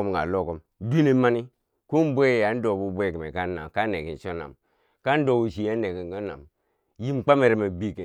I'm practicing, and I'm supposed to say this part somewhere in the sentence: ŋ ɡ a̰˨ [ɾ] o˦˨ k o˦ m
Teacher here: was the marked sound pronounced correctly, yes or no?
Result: no